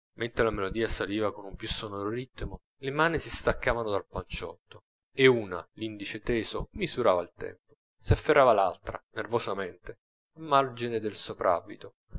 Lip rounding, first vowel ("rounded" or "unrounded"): unrounded